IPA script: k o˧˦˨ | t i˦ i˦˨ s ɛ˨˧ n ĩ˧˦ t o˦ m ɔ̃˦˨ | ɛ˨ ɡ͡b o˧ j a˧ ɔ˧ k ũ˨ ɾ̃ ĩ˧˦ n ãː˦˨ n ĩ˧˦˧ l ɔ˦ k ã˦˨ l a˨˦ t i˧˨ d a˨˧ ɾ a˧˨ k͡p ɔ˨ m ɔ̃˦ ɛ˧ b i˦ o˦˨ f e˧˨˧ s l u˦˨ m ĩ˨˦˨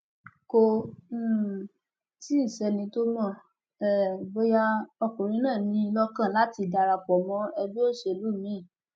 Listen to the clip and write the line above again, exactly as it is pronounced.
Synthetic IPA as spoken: k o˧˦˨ | t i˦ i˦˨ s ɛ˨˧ n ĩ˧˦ t o˦ m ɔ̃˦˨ | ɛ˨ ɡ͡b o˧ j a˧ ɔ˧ k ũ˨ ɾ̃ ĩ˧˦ n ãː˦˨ n ĩ˧˦˧ l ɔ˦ k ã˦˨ l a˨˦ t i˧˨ d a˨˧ ɾ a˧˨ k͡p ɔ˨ m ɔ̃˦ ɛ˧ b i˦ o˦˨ ʃ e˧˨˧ l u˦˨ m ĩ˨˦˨